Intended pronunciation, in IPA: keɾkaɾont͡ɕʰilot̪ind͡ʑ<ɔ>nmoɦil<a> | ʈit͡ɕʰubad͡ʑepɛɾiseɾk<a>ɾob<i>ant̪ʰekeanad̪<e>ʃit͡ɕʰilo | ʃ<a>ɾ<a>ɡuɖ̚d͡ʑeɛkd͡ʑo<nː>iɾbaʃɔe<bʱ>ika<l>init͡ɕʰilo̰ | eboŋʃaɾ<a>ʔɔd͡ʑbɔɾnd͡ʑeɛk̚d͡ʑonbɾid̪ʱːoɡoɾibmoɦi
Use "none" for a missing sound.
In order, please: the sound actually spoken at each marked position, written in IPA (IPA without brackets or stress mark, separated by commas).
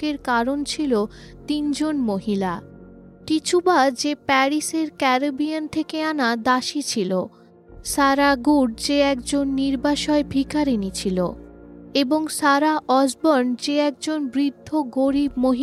o, a, ɛ, i, a, a, a, nː, bʱ, ɾ, a